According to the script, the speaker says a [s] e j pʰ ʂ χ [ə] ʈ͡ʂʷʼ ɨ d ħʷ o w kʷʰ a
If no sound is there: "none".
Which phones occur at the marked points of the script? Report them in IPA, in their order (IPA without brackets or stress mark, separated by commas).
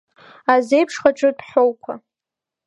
z, a